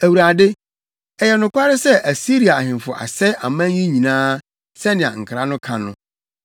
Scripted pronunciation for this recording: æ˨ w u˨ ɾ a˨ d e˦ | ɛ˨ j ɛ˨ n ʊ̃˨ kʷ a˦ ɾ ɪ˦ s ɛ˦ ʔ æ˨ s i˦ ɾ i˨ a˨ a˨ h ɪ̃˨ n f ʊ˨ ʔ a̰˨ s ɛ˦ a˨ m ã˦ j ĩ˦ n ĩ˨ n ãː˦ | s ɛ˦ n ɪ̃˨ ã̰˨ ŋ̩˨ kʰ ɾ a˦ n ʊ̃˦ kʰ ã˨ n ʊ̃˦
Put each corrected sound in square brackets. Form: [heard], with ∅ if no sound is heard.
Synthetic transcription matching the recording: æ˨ w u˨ ɾ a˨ d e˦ | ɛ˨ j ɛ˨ n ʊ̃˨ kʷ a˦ ɾ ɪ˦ s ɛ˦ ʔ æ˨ s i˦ ɾ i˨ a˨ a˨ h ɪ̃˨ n f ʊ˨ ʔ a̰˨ s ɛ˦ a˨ m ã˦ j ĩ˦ [ɲ] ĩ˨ n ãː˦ | s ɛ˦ n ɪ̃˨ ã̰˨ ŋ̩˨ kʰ ɾ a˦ n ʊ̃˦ kʰ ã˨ n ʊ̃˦